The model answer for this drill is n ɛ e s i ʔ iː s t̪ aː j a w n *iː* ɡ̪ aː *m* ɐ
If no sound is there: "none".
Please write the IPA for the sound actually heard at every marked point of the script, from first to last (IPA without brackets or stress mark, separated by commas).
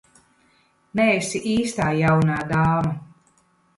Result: aː, m